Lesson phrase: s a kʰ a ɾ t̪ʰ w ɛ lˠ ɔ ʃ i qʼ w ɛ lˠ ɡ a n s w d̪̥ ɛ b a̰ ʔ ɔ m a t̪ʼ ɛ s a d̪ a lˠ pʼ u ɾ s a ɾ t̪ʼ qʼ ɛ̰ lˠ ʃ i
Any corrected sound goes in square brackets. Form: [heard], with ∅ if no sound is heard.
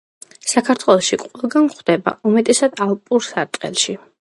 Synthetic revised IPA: s a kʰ a ɾ t̪ʰ w ɛ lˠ ɔ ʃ i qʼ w ɛ lˠ ɡ a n [χ] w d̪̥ ɛ b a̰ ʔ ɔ m [ɛ] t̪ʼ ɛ s a d̪ a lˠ pʼ u ɾ s a ɾ t̪ʼ qʼ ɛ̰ lˠ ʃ i